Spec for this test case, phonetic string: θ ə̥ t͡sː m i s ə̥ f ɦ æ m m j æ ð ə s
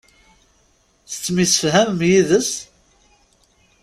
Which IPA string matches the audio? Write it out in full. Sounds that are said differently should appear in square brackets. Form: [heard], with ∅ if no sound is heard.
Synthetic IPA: θ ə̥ t͡sː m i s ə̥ f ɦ æ m m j [i] ð ə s